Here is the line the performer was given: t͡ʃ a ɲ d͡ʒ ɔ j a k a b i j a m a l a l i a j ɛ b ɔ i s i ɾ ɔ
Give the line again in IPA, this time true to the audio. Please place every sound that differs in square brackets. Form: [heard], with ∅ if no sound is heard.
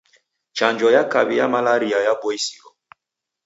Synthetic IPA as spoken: t͡ʃ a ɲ d͡ʒ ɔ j a k a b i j a m a l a [ɾ] i a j [a] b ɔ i s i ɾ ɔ